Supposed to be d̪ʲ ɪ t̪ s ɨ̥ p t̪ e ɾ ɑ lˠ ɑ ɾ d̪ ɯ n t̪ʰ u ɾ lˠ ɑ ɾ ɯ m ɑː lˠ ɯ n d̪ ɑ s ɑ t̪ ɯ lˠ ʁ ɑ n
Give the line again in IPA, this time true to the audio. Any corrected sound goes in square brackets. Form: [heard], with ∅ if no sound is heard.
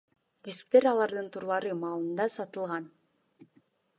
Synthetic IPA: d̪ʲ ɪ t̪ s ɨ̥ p t̪ e ɾ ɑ lˠ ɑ ɾ d̪ ɯ n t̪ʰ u ɾ lˠ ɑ ɾ ɯ m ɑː lˠ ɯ n d̪ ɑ s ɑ t̪ ɯ lˠ ʁ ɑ n